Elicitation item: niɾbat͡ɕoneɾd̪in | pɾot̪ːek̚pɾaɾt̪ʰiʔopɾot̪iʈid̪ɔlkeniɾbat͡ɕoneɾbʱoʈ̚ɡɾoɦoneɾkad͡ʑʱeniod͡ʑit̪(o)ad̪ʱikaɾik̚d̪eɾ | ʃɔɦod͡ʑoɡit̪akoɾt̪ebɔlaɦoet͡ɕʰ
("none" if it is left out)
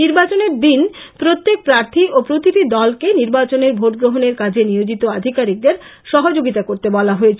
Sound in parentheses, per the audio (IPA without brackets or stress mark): o